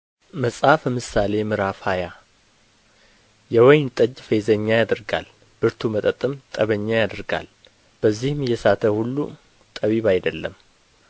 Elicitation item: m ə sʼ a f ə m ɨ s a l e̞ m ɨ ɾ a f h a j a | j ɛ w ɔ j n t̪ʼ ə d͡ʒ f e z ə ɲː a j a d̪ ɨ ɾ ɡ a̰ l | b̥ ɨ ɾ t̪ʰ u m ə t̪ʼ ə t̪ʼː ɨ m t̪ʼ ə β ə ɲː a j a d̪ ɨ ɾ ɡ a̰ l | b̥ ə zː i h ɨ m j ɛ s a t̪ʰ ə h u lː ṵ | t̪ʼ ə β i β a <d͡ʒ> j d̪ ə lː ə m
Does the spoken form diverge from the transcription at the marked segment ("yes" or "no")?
yes